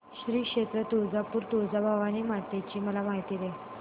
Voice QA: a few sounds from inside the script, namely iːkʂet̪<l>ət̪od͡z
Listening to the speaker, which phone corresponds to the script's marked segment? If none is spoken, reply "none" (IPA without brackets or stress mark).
ɾ